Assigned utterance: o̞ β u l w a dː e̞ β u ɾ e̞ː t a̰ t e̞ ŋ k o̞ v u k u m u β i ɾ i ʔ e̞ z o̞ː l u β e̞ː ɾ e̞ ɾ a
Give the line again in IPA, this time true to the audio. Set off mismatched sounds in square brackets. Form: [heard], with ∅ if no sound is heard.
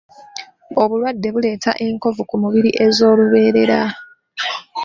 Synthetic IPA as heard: o̞ β u l w a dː e̞ β u [l] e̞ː t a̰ [ʔ] e̞ ŋ k o̞ v u k u m u β i ɾ i ʔ e̞ z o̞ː l u β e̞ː ɾ e̞ ɾ a